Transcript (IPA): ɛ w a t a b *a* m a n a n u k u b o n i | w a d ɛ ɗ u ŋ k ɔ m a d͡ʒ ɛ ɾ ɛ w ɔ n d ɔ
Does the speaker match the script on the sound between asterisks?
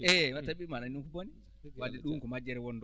no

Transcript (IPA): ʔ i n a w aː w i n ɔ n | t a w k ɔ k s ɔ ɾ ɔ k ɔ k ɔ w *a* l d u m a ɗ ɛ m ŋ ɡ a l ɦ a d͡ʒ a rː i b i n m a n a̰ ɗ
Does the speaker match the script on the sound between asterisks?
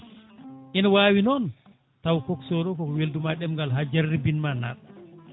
no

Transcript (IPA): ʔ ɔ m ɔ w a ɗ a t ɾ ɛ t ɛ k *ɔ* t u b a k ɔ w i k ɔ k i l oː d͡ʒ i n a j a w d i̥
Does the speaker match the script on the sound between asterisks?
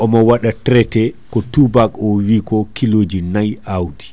yes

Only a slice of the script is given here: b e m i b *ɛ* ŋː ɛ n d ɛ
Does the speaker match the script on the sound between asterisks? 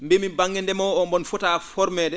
no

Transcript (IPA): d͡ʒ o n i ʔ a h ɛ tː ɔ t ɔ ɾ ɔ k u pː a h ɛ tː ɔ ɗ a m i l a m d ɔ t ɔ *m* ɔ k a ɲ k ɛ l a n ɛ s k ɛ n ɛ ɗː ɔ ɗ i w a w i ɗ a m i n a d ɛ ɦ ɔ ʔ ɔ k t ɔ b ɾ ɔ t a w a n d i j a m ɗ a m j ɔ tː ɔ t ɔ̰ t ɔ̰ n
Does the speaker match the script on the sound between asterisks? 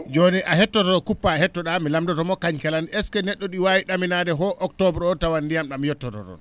yes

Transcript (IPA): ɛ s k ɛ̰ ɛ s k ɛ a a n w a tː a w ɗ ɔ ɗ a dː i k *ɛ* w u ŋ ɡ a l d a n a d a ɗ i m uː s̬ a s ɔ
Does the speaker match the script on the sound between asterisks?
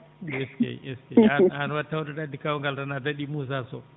no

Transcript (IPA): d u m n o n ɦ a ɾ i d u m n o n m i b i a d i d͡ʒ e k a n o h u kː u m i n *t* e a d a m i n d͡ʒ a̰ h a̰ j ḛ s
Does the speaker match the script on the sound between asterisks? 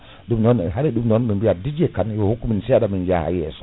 no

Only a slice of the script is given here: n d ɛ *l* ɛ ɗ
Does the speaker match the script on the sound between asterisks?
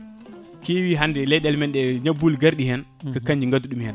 yes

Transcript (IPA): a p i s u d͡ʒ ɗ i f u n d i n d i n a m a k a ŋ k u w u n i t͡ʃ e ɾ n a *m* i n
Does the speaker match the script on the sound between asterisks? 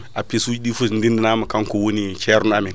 yes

